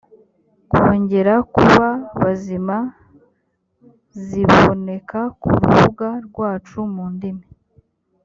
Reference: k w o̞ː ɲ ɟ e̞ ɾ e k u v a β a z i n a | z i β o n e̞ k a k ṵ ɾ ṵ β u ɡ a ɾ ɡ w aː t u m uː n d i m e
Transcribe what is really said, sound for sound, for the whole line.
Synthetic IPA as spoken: k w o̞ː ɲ ɟ e̞ ɾ a k u β a β a z i m a | z i β o n e̞ k a k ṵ ɾ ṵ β u ɡ a ɾ ɡ w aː t͡ʃ u m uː n d i m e